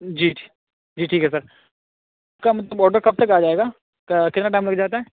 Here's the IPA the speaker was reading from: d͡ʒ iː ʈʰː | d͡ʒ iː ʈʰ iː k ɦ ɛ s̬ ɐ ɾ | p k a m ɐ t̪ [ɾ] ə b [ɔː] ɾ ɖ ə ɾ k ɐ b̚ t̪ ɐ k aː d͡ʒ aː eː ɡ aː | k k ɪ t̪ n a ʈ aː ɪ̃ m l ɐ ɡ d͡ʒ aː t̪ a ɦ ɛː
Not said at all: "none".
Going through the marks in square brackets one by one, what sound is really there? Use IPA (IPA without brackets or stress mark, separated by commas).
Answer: l, ɔː